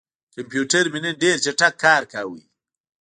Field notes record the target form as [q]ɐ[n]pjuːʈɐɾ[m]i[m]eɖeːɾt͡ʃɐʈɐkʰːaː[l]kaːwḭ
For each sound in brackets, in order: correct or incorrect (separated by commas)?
incorrect, incorrect, correct, incorrect, incorrect